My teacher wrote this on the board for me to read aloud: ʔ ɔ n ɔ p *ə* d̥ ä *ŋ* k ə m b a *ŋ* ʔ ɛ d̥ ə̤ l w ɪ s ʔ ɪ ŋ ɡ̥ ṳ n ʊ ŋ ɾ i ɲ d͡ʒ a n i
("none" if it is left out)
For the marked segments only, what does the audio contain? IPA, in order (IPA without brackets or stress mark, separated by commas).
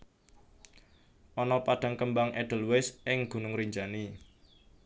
a, ŋ, ŋ